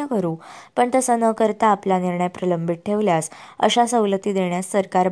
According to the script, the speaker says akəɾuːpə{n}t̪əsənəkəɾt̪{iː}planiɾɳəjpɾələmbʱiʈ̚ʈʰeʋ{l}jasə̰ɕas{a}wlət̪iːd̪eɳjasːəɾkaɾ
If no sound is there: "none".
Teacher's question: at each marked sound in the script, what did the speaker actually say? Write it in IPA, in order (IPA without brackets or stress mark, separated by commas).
ɳ, aː, l, ə